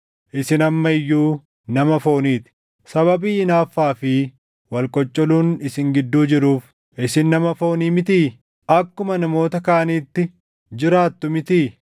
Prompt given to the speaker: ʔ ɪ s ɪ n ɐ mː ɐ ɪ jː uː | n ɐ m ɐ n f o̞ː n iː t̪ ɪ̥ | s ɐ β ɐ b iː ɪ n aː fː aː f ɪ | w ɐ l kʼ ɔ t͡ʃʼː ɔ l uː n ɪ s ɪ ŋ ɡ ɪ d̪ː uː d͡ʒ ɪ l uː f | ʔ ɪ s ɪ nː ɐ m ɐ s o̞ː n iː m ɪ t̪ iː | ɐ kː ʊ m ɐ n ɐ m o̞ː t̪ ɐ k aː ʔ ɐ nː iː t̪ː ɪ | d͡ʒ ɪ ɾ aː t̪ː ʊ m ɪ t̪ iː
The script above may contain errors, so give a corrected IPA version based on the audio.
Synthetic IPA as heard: ʔ ɪ s ɪ n ɐ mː ɐ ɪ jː uː | n ɐ m ɐ f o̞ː n iː t̪ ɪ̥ | s ɐ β ɐ b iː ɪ n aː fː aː f ɪ | w ɐ l kʼ ɔ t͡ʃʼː ɔ l uː n ɪ s ɪ ŋ ɡ ɪ d̪ː uː d͡ʒ ɪ ɾ uː f | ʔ ɪ s ɪ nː ɐ m ɐ f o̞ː n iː m ɪ t̪ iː | ɐ kː ʊ m ɐ n ɐ m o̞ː t̪ ɐ k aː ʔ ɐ n iː t̪ː ɪ | d͡ʒ ɪ ɾ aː t̪ː ʊ m ɪ t̪ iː